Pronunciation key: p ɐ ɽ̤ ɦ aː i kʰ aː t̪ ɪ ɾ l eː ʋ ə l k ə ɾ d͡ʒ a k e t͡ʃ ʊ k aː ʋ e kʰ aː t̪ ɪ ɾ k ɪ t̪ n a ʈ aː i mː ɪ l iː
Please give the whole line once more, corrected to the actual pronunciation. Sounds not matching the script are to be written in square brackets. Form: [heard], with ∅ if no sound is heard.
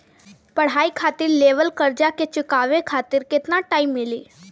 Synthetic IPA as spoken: p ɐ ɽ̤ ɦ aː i kʰ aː t̪ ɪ ɾ l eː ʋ ə l k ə ɾ d͡ʒ a k e t͡ʃ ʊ k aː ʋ e kʰ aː t̪ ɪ ɾ k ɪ t̪ n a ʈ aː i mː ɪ l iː